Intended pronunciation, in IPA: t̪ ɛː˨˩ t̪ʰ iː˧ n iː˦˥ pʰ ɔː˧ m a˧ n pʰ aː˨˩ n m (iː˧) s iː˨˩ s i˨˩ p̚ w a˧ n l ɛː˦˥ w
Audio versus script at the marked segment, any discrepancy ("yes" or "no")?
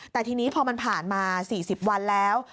yes